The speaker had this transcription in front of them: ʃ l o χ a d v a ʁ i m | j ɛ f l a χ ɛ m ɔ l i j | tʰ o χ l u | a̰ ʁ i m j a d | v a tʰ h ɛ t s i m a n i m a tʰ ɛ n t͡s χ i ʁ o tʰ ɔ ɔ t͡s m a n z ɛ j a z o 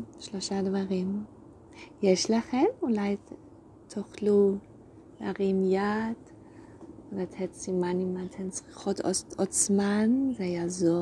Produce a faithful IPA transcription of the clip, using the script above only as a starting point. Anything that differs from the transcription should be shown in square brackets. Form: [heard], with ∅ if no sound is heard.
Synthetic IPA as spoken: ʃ l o [ʃ] a d v a ʁ i m | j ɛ [ʃ] l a χ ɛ m [u] l [a] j | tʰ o χ l u | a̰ ʁ i m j a d | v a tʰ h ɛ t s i m a n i m a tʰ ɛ n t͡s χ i [χ] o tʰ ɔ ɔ t͡s m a n z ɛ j a z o